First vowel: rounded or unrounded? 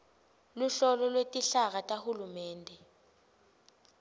rounded